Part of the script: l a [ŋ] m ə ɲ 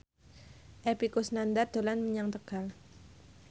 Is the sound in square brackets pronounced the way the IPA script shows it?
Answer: no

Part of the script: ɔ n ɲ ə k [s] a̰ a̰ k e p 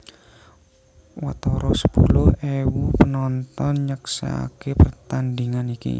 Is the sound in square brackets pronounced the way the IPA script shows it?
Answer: yes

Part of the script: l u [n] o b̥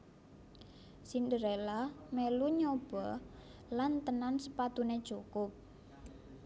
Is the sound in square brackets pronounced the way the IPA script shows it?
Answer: no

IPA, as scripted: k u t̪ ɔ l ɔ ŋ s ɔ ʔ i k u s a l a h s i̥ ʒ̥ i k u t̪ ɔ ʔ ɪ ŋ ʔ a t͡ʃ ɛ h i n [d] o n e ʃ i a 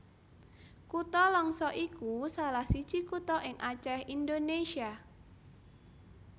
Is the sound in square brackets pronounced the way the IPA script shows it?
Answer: yes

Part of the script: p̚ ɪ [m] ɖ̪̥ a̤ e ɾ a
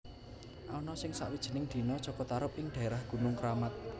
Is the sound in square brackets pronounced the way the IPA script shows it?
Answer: no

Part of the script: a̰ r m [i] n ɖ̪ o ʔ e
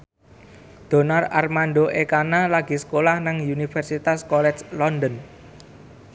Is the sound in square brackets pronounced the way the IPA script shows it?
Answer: no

